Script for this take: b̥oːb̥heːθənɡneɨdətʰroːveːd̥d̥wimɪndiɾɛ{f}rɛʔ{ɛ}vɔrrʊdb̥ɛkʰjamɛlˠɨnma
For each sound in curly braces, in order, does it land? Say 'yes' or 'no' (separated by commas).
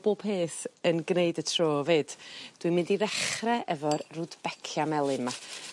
no, yes